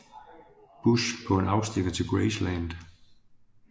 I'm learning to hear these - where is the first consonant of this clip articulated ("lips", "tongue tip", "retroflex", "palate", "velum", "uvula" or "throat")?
lips